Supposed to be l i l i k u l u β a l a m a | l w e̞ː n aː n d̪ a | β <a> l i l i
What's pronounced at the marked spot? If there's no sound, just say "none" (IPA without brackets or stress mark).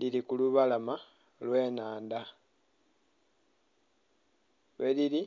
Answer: e